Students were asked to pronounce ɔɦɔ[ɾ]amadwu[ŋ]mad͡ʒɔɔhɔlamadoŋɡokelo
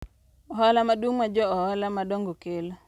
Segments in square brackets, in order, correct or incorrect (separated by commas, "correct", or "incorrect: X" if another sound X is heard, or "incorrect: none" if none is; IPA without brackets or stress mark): incorrect: l, correct